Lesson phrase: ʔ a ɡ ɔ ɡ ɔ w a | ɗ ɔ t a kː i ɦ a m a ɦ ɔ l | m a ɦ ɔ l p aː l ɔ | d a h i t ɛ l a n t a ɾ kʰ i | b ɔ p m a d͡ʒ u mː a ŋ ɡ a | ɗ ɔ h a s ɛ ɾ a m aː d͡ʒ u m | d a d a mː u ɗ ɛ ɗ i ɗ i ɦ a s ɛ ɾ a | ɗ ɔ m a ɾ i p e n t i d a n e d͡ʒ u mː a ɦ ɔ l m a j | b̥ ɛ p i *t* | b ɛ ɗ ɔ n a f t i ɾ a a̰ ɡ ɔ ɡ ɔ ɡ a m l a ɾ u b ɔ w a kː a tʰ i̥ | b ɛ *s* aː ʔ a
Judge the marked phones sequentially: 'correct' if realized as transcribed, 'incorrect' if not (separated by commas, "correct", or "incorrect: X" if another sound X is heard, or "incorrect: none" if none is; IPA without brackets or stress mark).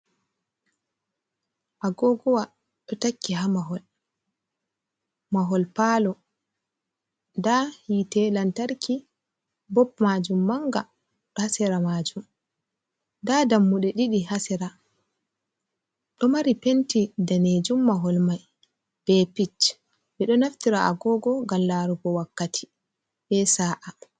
incorrect: t͡ʃ, correct